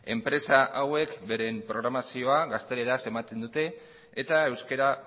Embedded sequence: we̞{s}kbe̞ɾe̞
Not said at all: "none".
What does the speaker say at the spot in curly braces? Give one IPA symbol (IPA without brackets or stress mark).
none